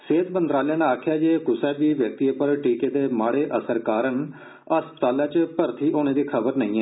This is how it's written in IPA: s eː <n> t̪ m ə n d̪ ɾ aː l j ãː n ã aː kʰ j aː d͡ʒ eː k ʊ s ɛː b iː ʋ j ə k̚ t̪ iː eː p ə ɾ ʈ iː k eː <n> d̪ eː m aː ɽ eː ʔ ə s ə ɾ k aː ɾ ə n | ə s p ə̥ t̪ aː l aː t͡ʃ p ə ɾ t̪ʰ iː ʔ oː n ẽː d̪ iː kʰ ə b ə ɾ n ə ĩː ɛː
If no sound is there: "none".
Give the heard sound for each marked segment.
none, none

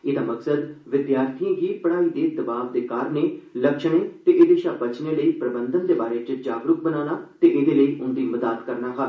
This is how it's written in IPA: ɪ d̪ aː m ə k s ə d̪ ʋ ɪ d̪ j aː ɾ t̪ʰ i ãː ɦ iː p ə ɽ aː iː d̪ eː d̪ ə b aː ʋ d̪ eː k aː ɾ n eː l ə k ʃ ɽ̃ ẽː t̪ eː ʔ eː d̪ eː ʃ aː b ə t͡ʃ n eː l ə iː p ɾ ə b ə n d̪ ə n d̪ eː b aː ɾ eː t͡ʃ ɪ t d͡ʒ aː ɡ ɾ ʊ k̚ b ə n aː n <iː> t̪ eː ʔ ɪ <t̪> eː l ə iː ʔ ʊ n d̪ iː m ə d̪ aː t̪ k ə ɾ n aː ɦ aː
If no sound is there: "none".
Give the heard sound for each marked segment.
aː, d̪

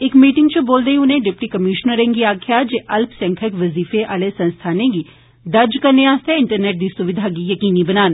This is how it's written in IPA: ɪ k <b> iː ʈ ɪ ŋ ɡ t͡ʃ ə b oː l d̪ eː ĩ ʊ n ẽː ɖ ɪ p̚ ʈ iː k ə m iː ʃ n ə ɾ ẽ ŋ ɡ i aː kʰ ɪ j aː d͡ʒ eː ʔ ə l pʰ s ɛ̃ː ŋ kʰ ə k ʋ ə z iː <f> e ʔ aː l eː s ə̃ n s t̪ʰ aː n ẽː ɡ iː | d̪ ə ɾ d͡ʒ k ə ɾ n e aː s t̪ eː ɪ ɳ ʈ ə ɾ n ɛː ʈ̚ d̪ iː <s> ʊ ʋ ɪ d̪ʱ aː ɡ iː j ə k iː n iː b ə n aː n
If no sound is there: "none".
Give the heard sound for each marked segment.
m, f, s

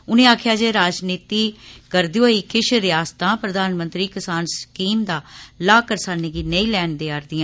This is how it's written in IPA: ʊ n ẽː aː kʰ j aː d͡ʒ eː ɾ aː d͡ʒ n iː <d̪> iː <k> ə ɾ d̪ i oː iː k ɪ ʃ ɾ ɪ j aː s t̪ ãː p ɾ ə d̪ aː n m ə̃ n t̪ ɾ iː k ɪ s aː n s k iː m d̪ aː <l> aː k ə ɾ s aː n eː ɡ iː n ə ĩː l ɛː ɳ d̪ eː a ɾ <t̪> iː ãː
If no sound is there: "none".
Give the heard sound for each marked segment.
t̪, k, l, d̪

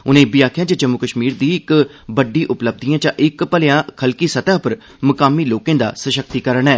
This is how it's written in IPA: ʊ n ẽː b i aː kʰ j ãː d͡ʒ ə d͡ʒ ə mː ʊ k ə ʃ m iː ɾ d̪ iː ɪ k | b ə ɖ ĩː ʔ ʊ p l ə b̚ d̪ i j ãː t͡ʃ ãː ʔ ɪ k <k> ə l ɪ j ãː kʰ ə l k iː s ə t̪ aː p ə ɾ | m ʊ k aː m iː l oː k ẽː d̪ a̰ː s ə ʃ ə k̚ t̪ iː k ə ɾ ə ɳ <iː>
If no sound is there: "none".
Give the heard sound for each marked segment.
p, ɛː

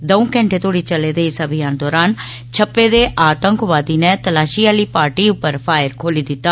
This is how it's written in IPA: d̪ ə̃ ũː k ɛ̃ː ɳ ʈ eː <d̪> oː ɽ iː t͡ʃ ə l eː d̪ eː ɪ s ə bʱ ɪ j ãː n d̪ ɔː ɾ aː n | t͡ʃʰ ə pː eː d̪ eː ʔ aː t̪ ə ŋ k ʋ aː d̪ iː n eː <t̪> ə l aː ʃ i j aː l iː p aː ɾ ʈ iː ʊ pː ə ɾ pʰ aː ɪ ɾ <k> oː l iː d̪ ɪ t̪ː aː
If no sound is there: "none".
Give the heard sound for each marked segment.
t̪, t̪, kʰ

